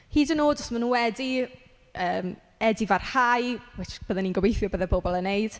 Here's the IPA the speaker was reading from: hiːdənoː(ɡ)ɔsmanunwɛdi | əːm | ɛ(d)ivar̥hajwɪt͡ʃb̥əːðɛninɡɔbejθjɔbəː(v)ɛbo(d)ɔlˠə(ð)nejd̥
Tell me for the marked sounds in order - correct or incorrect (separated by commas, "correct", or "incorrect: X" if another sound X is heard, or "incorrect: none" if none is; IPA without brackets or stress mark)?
incorrect: d, correct, incorrect: ð, incorrect: b, incorrect: none